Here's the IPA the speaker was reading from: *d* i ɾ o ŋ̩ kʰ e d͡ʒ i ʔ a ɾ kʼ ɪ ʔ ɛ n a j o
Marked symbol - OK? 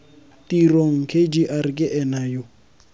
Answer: no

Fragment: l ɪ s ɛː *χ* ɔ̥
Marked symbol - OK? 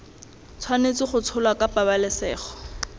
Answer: yes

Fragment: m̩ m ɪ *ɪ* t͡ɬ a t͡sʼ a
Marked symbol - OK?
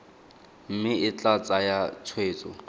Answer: yes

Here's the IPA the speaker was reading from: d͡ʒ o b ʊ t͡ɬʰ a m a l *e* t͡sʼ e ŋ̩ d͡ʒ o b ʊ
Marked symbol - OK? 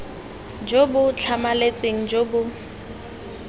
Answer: yes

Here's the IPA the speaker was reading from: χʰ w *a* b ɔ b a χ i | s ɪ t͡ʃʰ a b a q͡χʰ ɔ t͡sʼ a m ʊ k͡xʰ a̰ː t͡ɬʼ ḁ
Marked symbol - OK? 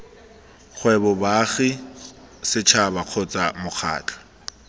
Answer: no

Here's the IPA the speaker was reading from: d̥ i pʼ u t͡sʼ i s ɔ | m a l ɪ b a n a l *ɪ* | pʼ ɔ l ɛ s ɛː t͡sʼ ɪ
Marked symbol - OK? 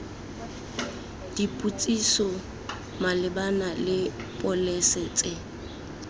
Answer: yes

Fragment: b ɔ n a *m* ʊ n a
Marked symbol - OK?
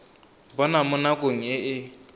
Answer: yes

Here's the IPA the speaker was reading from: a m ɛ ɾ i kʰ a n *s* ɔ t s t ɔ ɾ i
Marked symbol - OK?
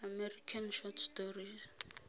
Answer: no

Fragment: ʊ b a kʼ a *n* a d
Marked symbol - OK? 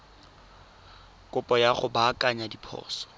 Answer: no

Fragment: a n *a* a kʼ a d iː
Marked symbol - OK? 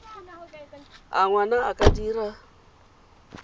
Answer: yes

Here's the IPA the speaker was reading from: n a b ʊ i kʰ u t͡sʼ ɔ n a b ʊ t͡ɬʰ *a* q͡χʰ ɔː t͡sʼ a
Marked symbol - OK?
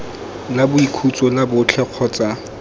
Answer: no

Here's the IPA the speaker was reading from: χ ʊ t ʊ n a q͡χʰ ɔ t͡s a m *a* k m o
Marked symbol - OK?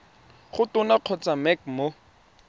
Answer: no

